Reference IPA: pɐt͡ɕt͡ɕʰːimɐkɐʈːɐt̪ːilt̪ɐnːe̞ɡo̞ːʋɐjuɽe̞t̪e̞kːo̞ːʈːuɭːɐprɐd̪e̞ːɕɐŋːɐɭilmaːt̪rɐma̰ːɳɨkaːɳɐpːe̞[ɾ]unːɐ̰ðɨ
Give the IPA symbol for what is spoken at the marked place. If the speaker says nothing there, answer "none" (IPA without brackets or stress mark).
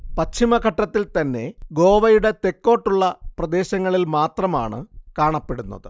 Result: ɽ